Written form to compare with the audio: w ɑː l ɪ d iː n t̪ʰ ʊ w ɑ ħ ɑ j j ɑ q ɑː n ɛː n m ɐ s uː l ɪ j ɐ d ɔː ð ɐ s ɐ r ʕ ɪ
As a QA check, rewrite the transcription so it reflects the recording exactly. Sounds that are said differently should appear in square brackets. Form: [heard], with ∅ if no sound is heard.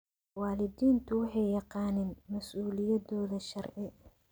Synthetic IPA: w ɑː l ɪ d iː n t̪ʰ ʊ w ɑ ħ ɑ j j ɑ q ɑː n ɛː n m ɐ s uː l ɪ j ɐ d ɔː ð ɐ [ʃ] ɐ r ʕ ɪ